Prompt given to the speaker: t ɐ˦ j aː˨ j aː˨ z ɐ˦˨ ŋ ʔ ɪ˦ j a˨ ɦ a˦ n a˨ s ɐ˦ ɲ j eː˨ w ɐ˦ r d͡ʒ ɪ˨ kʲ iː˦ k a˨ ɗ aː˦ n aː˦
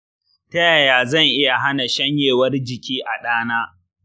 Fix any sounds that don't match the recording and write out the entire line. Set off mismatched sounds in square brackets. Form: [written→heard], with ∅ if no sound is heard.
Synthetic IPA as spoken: t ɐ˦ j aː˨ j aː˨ z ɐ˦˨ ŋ ʔ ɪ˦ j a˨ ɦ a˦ n a˨ [s→ʃ] ɐ˦ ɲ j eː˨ w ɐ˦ r d͡ʒ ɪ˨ kʲ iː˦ [k→ʔ] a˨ ɗ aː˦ n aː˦

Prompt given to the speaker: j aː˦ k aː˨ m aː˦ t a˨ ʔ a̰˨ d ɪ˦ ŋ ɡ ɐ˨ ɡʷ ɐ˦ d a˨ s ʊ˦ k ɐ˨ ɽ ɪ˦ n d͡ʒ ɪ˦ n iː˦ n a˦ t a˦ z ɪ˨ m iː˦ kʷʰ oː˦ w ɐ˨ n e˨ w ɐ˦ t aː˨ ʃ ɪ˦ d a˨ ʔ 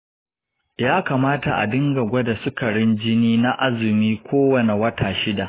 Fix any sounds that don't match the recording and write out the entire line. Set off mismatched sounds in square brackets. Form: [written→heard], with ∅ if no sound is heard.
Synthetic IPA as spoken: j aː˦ k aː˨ m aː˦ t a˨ ʔ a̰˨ d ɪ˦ ŋ ɡ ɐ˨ ɡʷ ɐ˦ d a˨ s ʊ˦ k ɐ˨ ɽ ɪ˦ n d͡ʒ ɪ˦ n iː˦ n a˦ [t→ʔ] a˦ z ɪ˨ m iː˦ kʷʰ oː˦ w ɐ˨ n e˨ w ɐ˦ t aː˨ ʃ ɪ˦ d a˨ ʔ

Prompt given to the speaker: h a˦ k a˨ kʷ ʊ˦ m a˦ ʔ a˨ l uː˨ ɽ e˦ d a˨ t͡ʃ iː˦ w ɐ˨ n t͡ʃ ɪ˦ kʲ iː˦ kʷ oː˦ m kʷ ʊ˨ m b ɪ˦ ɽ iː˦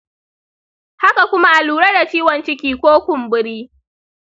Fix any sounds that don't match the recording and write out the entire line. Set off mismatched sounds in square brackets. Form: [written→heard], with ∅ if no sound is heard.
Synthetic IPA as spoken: h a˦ k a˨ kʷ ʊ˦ m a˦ ʔ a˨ l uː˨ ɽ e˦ d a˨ t͡ʃ iː˦ w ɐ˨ n t͡ʃ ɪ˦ kʲ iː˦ kʷ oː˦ [m→∅] kʷ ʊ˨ m b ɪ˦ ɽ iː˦

